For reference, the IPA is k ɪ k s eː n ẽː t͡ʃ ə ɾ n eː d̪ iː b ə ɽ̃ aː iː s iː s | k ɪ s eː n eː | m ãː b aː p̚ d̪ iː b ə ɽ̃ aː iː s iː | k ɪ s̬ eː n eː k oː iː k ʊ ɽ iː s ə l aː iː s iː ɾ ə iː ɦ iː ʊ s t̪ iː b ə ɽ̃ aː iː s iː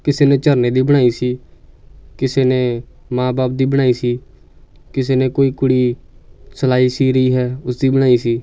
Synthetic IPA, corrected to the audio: k ɪ s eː n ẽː t͡ʃ ə ɾ n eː d̪ iː b ə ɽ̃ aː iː s iː | k ɪ s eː n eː | m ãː b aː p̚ d̪ iː b ə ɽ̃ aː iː s iː | k ɪ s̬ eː n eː k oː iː k ʊ ɽ iː s ə l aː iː s iː ɾ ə iː ɦ ɛː ʊ s d̪ iː b ə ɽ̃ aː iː s iː